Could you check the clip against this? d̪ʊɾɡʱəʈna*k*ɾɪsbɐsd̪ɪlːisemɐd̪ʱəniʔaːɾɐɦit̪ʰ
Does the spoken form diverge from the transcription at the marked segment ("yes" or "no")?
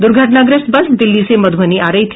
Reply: yes